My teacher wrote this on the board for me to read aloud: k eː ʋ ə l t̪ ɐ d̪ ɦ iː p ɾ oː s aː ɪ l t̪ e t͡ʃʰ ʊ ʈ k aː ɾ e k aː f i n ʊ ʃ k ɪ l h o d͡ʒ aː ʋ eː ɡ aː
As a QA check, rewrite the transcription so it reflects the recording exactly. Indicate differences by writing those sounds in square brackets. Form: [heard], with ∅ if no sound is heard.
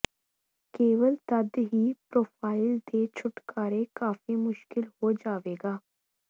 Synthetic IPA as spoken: k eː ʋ ə l t̪ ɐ d̪ ɦ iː p ɾ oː [f] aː ɪ l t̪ e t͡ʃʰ ʊ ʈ k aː ɾ e k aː f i [m] ʊ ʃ k ɪ l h o d͡ʒ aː ʋ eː ɡ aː

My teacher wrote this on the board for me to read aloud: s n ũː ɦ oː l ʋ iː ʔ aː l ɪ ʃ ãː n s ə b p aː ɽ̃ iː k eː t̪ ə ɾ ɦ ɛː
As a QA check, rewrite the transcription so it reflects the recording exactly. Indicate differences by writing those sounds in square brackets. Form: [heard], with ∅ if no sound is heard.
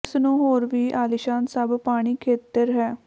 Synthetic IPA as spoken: s n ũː ɦ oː [ɾ] ʋ iː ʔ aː l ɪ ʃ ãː n s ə b p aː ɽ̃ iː [kʰ] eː t̪ ə ɾ ɦ ɛː

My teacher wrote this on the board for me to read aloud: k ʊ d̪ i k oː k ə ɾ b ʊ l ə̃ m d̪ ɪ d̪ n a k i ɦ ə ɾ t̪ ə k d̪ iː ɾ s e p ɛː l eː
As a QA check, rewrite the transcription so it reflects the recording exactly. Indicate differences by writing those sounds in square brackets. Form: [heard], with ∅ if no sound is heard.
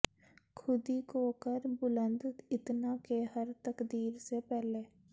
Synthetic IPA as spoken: [kʰ] ʊ d̪ i k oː k ə ɾ b ʊ l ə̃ [n] d̪ ɪ [t̪] n a k [e] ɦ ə ɾ t̪ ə k d̪ iː ɾ s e p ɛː l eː

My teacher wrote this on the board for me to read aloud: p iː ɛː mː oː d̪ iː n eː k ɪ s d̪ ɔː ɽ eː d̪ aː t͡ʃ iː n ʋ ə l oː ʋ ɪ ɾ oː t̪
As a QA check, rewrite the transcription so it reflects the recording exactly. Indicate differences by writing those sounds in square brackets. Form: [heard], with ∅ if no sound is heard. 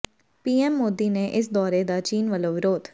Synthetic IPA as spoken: p iː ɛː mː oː d̪ iː n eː [ʔ] ɪ s d̪ ɔː [ɾ] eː d̪ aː t͡ʃ iː n ʋ ə l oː ʋ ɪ ɾ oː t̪

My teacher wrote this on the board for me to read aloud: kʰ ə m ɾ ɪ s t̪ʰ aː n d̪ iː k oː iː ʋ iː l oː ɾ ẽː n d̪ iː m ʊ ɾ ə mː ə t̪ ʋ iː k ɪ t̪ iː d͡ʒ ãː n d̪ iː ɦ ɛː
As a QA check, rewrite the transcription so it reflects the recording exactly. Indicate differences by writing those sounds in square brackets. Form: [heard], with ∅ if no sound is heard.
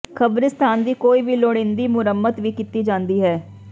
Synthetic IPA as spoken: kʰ ə [b] ɾ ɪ s t̪ʰ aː n d̪ iː k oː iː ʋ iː l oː [ɽ] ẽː n d̪ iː m ʊ ɾ ə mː ə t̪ ʋ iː k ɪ t̪ iː d͡ʒ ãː n d̪ iː ɦ ɛː

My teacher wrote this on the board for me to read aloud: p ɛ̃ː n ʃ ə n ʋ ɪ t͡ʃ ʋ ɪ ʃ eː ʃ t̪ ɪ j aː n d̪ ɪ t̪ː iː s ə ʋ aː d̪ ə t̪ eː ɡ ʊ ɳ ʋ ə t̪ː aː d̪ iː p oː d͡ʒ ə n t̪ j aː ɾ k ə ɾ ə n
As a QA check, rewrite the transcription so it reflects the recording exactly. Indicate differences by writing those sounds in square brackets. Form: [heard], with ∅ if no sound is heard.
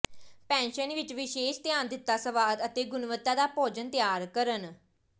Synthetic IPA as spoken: p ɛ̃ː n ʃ ə n ʋ ɪ t͡ʃ ʋ ɪ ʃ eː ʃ t̪ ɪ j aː n d̪ ɪ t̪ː [aː] s ə ʋ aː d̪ ə t̪ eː ɡ ʊ [n] ʋ ə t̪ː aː d̪ [aː] p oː d͡ʒ ə n t̪ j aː ɾ k ə ɾ ə n

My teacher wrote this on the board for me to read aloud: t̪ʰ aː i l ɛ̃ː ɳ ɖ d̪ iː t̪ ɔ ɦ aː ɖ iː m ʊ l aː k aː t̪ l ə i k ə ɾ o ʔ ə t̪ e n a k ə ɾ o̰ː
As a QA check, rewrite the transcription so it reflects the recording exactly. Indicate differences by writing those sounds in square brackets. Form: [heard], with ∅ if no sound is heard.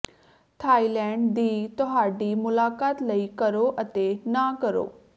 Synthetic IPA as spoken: t̪ʰ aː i l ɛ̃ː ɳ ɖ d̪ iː t̪ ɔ ɦ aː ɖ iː m ʊ l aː k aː t̪ l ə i k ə ɾ o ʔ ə t̪ e n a k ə ɾ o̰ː

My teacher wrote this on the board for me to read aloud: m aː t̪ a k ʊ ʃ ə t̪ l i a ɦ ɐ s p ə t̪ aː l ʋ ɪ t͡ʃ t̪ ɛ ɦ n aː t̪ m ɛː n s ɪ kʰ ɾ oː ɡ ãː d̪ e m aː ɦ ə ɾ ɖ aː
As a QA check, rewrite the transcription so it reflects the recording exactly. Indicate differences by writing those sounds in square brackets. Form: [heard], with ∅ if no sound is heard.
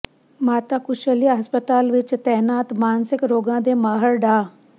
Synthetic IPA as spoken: m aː t̪ a k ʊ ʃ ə [∅] l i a ɦ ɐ s p ə t̪ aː l ʋ ɪ t͡ʃ t̪ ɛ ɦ n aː t̪ m [aː] n s ɪ [k] ɾ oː ɡ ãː d̪ e m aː ɦ ə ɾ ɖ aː

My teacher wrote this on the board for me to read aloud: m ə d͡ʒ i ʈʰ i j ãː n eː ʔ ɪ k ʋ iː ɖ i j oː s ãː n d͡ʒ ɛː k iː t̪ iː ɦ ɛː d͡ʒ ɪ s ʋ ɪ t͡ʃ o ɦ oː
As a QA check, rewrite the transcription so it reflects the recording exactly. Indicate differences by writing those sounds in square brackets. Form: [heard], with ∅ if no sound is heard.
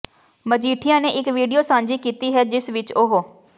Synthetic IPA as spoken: m ə d͡ʒ [iː] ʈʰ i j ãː n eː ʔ ɪ k ʋ iː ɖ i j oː s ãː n d͡ʒ [iː] k iː t̪ iː ɦ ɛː d͡ʒ ɪ s ʋ ɪ t͡ʃ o ɦ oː

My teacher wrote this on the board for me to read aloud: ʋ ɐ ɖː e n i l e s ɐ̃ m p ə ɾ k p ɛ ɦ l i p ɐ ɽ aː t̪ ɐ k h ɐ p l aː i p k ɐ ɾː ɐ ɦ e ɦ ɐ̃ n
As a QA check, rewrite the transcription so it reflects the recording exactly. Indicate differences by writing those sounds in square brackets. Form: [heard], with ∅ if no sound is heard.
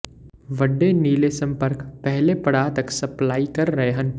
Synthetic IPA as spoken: ʋ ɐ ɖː e n [iː] l e s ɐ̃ m p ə ɾ k p ɛ ɦ l [e] p ɐ ɽ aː t̪ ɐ k [s] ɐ p l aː i [∅] k ɐ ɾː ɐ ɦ e ɦ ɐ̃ n

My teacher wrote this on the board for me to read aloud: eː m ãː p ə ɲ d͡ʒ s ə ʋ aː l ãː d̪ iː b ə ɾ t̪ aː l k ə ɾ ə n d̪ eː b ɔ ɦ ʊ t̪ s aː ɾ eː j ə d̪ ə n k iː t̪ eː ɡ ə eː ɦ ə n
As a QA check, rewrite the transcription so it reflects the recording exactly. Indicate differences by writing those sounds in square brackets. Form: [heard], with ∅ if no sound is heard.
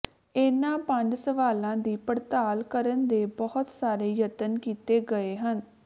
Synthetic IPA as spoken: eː [n] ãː p ə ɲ d͡ʒ s ə ʋ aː l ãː d̪ iː [p] ə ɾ t̪ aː l k ə ɾ ə n d̪ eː b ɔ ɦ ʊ t̪ s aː ɾ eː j ə [t̪] ə n k iː t̪ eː ɡ ə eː ɦ ə n

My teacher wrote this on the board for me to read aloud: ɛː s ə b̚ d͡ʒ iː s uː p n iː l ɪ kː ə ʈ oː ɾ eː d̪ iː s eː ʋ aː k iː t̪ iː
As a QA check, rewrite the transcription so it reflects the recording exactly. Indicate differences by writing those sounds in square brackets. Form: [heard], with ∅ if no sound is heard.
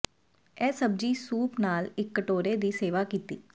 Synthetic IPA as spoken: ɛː s ə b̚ d͡ʒ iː s uː p n [aː] l ɪ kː ə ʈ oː ɾ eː d̪ iː s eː ʋ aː k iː t̪ iː

